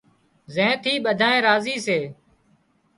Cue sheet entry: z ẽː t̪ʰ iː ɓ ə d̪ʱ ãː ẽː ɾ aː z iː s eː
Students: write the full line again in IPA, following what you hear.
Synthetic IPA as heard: z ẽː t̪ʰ iː ɓ ə d̪ʱ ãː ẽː ɾ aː z iː s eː